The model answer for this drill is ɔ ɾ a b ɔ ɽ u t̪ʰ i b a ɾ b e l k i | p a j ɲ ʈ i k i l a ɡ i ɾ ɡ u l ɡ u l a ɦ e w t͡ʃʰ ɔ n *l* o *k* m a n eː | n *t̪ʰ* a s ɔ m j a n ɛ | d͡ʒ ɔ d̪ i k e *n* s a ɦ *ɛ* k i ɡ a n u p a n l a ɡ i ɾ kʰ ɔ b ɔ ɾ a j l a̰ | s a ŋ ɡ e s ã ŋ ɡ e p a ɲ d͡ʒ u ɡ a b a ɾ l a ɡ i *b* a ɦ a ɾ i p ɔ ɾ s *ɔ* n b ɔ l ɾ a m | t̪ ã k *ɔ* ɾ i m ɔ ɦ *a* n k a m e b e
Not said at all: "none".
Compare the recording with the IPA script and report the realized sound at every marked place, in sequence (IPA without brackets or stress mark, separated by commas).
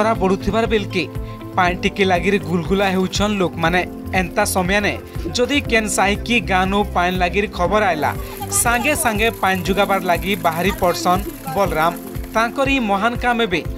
l, k, t̪, n, i, b, ɔ, ɔ, a